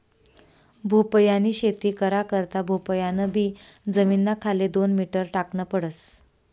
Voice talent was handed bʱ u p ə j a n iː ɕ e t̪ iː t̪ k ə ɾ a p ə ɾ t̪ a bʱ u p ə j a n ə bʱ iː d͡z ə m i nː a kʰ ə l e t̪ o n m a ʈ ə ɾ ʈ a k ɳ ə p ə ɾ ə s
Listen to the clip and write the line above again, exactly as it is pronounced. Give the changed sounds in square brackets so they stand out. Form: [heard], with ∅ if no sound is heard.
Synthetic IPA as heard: bʱ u p ə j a n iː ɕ e t̪ iː [∅] k ə ɾ a [k] ə ɾ t̪ a bʱ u p ə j a n ə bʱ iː d͡z ə m i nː a kʰ [a] l e [d̪] o n m [i] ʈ ə ɾ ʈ a k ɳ ə p ə [ɽ] ə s

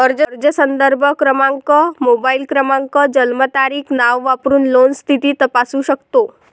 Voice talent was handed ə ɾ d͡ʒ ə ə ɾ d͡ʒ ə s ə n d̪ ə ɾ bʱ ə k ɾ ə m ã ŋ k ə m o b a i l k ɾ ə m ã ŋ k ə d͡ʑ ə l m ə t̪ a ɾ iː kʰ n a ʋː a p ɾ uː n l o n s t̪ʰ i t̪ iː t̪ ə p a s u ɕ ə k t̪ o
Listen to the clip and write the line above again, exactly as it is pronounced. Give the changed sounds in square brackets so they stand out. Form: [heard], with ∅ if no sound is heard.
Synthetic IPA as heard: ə ɾ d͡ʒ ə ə ɾ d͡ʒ ə s ə n d̪ ə ɾ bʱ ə k ɾ ə m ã ŋ k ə m o b a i l k ɾ ə m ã ŋ k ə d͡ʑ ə l m ə t̪ a ɾ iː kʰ n a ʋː a p ɾ uː n l o n s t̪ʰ i t̪ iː t̪ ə p a s u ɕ ə k t̪ o

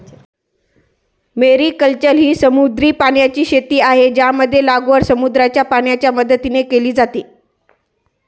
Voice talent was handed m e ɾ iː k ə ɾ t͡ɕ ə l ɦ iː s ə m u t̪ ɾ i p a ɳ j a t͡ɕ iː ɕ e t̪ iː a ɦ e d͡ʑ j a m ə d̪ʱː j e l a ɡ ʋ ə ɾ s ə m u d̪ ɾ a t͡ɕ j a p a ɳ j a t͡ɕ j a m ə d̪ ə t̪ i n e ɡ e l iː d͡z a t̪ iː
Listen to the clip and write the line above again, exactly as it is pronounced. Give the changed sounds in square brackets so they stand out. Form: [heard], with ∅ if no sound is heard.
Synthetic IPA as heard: m e ɾ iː k ə [l] t͡ɕ ə l ɦ iː s ə m u [d̪] ɾ [iː] p a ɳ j a t͡ɕ iː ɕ e t̪ iː a ɦ e d͡ʑ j a m ə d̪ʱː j e l a ɡ ʋ ə ɾ s ə m u d̪ ɾ a t͡ɕ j a p a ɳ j a t͡ɕ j a m ə d̪ ə t̪ i n e [k] e l iː d͡z a t̪ iː

